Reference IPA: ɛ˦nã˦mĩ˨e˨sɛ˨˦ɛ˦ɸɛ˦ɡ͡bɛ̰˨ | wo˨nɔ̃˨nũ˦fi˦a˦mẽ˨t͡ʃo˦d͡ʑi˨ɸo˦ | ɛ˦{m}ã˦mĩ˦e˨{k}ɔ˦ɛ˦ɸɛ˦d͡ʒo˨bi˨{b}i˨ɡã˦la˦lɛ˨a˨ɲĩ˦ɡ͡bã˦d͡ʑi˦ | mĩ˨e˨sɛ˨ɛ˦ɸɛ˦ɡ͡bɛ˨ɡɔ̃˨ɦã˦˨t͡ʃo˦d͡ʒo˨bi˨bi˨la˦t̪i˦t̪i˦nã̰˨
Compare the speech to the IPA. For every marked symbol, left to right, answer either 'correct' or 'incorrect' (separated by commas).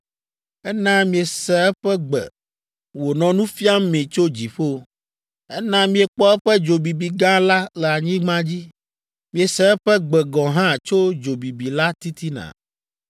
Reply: incorrect, incorrect, correct